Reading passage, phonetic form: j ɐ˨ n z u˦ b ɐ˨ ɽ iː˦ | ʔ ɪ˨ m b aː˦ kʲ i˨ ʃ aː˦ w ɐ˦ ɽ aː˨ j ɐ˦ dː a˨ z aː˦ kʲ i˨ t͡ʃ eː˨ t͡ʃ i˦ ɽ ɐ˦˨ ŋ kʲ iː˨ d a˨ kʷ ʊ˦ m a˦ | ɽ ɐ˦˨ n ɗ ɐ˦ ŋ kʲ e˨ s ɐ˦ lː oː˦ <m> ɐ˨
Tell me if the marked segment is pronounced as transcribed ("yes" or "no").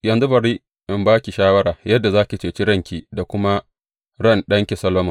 yes